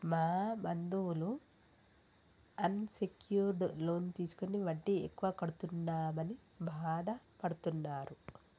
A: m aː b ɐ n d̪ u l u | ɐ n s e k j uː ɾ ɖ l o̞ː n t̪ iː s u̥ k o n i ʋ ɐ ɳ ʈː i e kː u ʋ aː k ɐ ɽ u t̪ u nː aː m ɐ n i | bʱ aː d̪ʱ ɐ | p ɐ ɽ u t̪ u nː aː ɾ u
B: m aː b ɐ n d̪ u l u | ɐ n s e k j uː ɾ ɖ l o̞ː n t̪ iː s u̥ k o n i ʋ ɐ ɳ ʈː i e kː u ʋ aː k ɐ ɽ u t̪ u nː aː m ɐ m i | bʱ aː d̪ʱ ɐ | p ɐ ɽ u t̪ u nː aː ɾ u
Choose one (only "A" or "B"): A